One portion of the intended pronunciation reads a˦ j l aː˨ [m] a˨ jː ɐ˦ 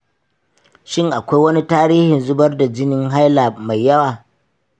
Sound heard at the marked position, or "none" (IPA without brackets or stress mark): m